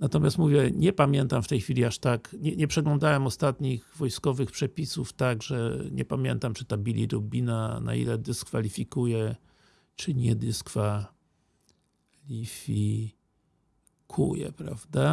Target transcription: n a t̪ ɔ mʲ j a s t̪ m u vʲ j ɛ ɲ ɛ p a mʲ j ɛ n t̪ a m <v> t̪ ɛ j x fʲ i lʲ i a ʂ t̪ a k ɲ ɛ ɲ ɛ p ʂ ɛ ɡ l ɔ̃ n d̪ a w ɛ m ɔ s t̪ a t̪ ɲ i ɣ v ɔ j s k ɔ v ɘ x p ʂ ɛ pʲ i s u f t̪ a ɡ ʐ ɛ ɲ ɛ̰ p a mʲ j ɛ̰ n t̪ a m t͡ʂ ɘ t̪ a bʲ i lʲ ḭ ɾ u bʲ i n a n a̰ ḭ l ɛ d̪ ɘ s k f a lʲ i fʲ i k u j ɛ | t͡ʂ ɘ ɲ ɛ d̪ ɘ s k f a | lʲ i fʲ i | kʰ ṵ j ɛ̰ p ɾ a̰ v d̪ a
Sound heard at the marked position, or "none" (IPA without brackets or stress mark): f